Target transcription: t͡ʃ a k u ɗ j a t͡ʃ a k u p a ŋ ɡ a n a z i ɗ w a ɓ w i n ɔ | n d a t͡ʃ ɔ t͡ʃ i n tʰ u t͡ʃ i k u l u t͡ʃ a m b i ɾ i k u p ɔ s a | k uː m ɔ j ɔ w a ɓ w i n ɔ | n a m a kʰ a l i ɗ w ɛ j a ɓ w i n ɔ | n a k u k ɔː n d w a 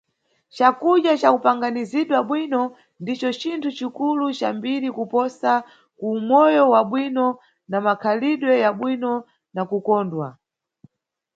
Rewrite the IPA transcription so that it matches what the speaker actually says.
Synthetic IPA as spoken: t͡ʃ a k u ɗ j a t͡ʃ a k u p a ŋ ɡ a n i z i ɗ w a ɓ w i n ɔ | n d i t͡ʃ ɔ t͡ʃ i n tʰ u t͡ʃ i k u l u t͡ʃ a m b i ɾ i k u p ɔ s a | k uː m ɔ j ɔ w a ɓ w i n ɔ | n a m a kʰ a l i ɗ w ɛ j a ɓ w i n ɔ | n a k u k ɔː n d w a